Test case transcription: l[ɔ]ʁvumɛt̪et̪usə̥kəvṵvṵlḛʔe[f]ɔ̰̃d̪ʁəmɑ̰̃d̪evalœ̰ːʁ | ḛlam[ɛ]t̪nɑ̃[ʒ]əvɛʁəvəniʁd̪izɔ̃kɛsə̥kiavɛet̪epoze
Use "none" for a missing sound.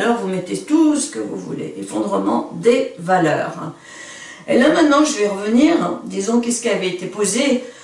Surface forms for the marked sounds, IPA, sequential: ɔ, f, ɛ̃, ʒ

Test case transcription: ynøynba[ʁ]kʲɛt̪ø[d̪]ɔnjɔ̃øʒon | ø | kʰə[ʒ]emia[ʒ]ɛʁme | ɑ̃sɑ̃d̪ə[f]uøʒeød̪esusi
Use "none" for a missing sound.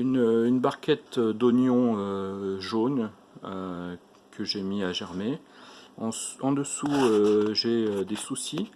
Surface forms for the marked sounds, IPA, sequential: ʁ, d̪, ʒ, ʒ, s

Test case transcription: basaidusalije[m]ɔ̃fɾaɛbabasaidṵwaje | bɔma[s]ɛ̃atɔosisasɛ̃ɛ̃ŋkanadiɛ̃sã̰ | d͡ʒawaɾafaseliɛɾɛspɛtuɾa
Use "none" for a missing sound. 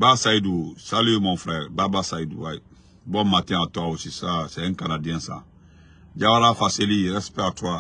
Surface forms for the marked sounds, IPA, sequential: m, t

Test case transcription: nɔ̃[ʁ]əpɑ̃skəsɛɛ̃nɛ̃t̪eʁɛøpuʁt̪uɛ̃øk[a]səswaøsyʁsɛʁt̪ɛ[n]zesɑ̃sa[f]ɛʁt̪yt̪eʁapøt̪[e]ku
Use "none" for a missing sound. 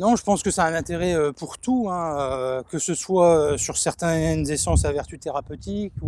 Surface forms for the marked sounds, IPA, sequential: ʒ, ə, n, v, i

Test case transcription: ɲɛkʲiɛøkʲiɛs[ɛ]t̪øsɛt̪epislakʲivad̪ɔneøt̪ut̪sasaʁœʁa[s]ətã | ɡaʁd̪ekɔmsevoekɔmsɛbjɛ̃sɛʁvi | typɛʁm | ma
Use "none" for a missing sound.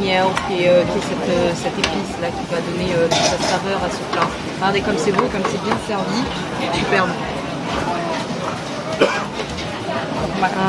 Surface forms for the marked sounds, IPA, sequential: ɛ, s

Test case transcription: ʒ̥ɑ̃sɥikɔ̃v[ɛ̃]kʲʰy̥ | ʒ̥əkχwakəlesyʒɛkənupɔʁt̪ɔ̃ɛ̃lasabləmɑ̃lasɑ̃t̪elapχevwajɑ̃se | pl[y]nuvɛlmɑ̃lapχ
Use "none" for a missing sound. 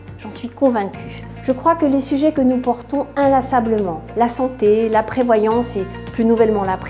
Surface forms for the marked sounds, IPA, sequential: ɛ̃, y

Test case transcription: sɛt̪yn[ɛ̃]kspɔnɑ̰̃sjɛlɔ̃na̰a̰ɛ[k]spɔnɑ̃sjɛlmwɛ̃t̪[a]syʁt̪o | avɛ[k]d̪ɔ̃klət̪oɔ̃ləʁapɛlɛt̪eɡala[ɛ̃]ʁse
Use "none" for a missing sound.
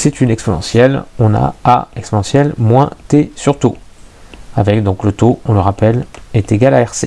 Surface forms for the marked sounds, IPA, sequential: ɛ, k, e, k, ɛ

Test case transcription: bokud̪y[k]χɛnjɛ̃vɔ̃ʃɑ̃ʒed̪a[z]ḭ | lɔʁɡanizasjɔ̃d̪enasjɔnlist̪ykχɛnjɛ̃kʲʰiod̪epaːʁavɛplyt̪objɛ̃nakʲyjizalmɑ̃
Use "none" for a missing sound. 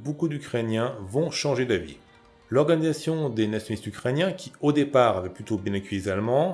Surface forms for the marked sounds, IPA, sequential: k, v

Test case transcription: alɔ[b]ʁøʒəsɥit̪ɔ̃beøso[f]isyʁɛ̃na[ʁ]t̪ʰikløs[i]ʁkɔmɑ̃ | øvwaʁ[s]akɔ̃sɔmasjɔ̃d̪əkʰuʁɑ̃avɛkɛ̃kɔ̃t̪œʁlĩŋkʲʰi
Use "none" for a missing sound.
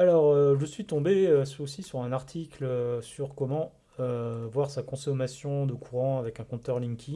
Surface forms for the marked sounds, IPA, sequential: none, s, ʁ, y, s

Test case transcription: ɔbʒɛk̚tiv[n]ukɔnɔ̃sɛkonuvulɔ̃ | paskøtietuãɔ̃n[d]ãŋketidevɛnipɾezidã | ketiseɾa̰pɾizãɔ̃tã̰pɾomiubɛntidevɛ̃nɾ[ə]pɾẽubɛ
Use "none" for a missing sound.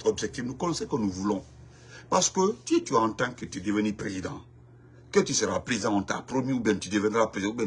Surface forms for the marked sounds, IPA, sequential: n, t, a

